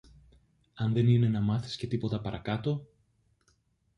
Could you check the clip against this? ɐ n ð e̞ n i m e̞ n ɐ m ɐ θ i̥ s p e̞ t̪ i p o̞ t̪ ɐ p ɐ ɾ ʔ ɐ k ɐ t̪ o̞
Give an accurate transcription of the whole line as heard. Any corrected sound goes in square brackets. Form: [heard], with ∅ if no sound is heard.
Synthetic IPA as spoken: ɐ n ð e̞ n i [n] e̞ n ɐ m ɐ θ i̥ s [c] e̞ t̪ i p o̞ t̪ ɐ p ɐ ɾ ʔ ɐ k ɐ t̪ o̞